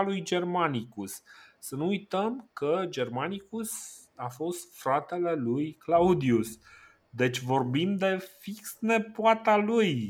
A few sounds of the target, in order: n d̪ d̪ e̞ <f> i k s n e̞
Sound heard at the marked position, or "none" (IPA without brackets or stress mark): f